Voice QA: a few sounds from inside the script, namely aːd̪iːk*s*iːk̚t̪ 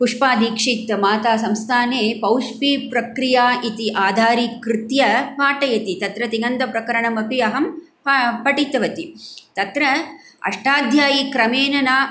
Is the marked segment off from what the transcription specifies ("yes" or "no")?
yes